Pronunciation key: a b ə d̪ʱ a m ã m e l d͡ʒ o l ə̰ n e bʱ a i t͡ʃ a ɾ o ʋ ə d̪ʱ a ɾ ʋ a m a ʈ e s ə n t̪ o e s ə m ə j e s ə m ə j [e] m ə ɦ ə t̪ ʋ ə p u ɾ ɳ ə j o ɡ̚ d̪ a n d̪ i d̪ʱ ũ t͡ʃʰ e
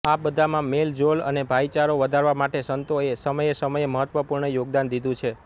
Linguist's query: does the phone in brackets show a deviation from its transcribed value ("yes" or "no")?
no